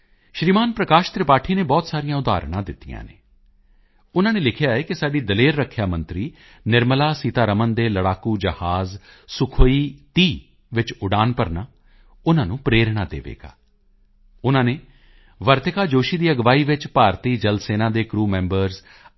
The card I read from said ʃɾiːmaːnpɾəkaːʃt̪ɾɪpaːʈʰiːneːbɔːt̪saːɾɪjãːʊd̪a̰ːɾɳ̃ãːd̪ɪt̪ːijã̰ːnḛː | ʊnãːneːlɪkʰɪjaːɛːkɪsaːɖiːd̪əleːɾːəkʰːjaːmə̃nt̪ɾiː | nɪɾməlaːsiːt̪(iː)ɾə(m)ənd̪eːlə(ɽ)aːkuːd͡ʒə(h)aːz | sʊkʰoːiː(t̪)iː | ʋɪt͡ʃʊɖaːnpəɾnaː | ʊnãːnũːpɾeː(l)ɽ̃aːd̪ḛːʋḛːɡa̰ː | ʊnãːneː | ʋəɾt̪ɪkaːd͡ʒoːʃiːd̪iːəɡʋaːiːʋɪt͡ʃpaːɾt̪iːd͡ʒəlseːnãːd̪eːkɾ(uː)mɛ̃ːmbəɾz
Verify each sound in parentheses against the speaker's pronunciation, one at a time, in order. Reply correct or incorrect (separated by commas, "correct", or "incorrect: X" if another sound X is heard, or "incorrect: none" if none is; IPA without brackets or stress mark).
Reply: incorrect: aː, correct, correct, correct, correct, incorrect: ɾ, correct